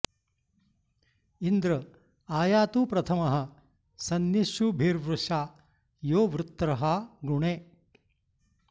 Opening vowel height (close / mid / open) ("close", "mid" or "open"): close